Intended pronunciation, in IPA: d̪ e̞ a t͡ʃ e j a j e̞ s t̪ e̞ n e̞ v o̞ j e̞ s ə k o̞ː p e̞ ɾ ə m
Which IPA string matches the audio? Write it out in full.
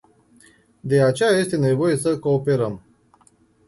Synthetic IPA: d̪ e̞ a t͡ʃ e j a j e̞ s t̪ e̞ n e̞ v o̞ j e̞ s ə k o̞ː p e̞ ɾ ə m

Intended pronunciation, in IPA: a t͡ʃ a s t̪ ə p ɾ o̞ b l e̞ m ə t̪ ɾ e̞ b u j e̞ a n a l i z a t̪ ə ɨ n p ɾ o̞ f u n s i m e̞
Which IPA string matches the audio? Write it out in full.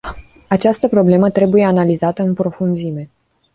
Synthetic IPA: a t͡ʃ a s t̪ ə p ɾ o̞ b l e̞ m ə t̪ ɾ e̞ b u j e̞ a n a l i z a t̪ ə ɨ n p ɾ o̞ f u n z i m e̞

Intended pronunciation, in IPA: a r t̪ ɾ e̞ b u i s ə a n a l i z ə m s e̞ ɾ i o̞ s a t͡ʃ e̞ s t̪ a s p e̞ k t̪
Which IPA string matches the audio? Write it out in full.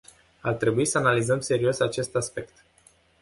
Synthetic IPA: a r t̪ ɾ e̞ b u i s ə a n a l i z ə m s e̞ ɾ i o̞ s a t͡ʃ e̞ s t̪ a s p e̞ k t̪

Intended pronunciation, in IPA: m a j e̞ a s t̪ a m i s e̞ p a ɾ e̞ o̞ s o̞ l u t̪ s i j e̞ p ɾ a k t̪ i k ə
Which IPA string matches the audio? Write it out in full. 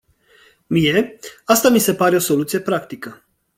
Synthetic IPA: m i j e̞ a s t̪ a m i s e̞ p a ɾ e̞ o̞ s o̞ l u t̪ s i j e̞ p ɾ a k t̪ i k ə

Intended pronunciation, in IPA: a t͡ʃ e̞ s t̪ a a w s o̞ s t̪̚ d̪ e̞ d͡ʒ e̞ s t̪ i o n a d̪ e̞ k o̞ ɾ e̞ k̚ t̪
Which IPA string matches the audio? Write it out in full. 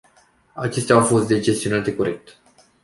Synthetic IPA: a t͡ʃ e̞ s t̪ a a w f o̞ s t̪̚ d̪ e̞ d͡ʒ e̞ s t̪ i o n a t̪ e̞ k o̞ ɾ e̞ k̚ t̪

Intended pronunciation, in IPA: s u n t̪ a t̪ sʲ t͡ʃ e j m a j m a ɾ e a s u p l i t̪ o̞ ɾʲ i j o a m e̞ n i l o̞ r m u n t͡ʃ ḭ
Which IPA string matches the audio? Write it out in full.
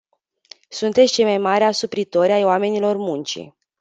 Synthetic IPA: s u n t̪ e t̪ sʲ t͡ʃ e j m a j m a ɾ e a s u p ɾ i t̪ o̞ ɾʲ a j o a m e̞ n i l o̞ r m u n t͡ʃ ḭ

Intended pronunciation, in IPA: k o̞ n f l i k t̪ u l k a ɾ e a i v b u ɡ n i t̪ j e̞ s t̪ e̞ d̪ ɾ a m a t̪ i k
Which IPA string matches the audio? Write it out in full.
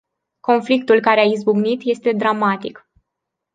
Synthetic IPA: k o̞ n f l i k t̪ u l k a ɾ e a i z b u ɡ n i t̪ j e̞ s t̪ e̞ d̪ ɾ a m a t̪ i k

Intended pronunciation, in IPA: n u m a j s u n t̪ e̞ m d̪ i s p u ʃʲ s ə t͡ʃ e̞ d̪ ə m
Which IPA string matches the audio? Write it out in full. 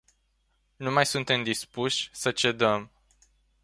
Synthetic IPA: n u m a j s u n t̪ e̞ m d̪ i s p u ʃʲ s ə t͡ʃ e̞ d̪ ə m

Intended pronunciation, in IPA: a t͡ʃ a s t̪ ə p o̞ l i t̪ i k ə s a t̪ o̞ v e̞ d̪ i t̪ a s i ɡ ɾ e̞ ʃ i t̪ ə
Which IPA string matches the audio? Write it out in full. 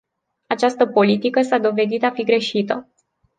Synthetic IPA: a t͡ʃ a s t̪ ə p o̞ l i t̪ i k ə s a d̪ o̞ v e̞ d̪ i t̪ a f i ɡ ɾ e̞ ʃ i t̪ ə

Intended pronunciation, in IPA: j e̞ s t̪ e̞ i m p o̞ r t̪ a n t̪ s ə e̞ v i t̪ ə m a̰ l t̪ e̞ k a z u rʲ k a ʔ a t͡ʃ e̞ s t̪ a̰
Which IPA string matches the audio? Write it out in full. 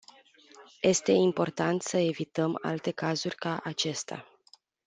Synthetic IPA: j e̞ s t̪ e̞ i m p o̞ r t̪ a n t̪ s ə e̞ v i t̪ ə m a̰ l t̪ e̞ k a z u rʲ k a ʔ a t͡ʃ e̞ s t̪ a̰

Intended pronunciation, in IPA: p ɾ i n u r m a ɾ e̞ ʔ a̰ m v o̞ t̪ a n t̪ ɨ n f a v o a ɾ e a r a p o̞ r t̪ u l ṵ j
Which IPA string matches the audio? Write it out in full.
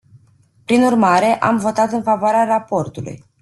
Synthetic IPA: p ɾ i n u r m a ɾ e̞ ʔ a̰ m v o̞ t̪ a t̪ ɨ n f a v o a ɾ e a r a p o̞ r t̪ u l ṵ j

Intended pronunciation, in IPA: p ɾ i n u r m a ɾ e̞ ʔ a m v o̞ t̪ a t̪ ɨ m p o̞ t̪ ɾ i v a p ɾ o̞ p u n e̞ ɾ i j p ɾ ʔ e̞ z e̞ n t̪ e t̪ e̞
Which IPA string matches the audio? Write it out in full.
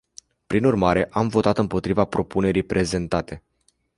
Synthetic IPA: p ɾ i n u r m a ɾ e̞ ʔ a m v o̞ t̪ a t̪ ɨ m p o̞ t̪ ɾ i v a p ɾ o̞ p u n e̞ ɾ i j p ɾ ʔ e̞ z e̞ n t̪ a t̪ e̞

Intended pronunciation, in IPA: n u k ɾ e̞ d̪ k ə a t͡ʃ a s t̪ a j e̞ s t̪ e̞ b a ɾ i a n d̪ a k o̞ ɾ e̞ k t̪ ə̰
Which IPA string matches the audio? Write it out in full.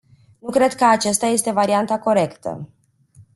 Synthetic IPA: n u k ɾ e̞ d̪ k ə a t͡ʃ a s t̪ a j e̞ s t̪ e̞ v a ɾ i a n t̪ a k o̞ ɾ e̞ k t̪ ə̰

